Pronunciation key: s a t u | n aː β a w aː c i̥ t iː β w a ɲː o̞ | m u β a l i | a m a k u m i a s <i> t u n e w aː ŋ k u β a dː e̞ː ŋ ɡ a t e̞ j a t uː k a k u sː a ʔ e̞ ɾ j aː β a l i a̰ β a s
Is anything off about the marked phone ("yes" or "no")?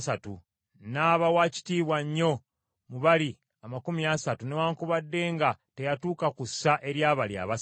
yes